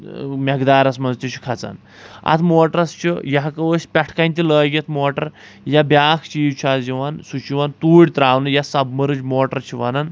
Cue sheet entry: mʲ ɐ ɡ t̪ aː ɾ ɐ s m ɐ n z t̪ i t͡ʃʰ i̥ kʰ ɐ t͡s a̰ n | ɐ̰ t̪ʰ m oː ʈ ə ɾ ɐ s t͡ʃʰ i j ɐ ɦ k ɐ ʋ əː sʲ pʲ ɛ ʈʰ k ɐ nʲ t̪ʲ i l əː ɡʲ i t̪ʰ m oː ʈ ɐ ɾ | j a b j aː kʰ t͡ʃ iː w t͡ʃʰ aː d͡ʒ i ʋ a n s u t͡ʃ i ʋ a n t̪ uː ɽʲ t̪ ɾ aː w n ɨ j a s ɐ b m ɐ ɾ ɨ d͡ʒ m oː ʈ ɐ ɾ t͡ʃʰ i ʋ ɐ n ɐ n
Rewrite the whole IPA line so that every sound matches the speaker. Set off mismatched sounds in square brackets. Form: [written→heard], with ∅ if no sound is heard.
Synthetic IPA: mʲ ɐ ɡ [t̪→d̪] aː ɾ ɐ s m ɐ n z t̪ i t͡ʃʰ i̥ kʰ ɐ t͡s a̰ n | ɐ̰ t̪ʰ m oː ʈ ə ɾ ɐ s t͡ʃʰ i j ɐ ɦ k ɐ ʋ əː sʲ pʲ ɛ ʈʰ k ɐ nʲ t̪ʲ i l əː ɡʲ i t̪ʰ m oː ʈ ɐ ɾ | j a b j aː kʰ t͡ʃ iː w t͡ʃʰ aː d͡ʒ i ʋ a n s u t͡ʃ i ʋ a n t̪ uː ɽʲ t̪ ɾ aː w n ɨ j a s ɐ b m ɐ ɾ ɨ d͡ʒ m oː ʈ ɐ ɾ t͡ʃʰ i ʋ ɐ n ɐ n